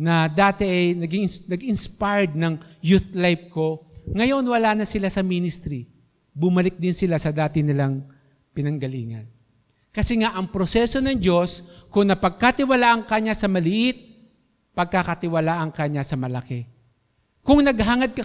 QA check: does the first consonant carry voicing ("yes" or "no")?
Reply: yes